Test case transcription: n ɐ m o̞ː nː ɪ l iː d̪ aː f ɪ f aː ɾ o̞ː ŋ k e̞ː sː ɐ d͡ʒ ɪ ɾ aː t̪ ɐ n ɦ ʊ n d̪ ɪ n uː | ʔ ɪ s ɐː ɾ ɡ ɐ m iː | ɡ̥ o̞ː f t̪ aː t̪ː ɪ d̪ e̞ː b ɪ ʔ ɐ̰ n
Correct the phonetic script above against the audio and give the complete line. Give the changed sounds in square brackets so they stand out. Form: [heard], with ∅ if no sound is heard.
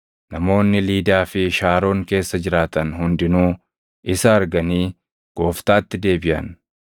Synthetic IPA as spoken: n ɐ m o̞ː nː ɪ l iː d̪ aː f ɪ [ʃ] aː ɾ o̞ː ŋ k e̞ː sː ɐ d͡ʒ ɪ ɾ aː t̪ ɐ n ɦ ʊ n d̪ ɪ n uː | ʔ ɪ s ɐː ɾ ɡ ɐ [n] iː | ɡ̥ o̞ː f t̪ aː t̪ː ɪ d̪ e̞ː b ɪ ʔ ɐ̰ n